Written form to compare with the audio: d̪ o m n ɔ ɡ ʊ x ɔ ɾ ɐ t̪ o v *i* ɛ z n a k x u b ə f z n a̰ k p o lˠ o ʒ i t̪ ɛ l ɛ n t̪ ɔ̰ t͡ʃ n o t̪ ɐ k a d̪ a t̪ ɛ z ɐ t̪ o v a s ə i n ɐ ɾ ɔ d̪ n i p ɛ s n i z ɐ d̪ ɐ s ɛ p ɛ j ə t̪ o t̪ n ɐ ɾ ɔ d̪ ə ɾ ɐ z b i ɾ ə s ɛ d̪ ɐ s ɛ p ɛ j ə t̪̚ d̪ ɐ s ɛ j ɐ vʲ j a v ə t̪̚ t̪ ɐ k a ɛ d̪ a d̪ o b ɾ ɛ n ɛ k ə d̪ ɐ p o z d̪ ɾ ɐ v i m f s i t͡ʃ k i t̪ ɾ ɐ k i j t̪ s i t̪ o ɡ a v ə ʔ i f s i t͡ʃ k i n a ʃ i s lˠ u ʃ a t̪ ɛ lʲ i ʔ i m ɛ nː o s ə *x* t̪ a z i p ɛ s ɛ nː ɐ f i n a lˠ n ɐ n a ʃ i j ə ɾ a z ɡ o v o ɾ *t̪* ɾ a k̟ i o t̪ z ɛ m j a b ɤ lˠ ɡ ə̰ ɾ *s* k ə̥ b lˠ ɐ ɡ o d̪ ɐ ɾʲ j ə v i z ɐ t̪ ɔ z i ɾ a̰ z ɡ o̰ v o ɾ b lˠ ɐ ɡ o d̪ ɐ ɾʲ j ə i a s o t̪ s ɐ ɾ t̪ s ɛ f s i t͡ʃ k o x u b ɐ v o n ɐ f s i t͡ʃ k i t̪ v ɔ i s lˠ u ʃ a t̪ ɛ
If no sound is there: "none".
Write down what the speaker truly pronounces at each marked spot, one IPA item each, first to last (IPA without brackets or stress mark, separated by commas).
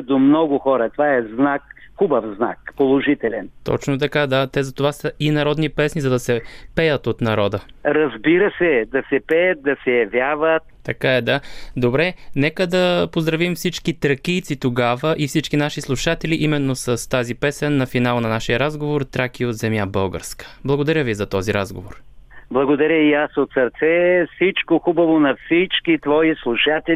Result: a, s, t̪, s